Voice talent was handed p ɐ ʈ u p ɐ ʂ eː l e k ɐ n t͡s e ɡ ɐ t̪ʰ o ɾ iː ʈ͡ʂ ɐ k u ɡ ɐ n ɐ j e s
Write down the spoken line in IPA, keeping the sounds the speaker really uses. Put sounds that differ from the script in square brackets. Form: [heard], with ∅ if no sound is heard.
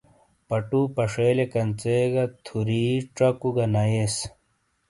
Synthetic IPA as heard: p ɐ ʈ u p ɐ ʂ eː l e k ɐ n t͡s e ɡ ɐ t̪ʰ [u] ɾ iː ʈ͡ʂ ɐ k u ɡ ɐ n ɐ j e s